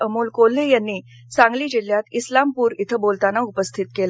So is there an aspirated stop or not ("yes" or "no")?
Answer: yes